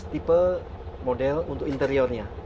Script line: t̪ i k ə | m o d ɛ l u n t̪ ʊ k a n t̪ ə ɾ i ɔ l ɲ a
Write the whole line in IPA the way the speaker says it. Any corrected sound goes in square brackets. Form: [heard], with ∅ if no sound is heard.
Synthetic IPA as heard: t̪ i [p] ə | m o d ɛ l u n t̪ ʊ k [i] n t̪ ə ɾ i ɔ [r] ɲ a